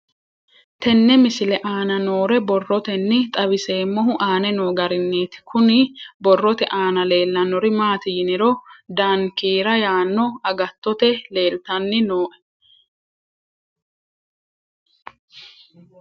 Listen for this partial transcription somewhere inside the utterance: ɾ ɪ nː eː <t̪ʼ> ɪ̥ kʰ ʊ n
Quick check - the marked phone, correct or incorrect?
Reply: incorrect